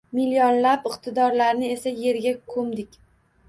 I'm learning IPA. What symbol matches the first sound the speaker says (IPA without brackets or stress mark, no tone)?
m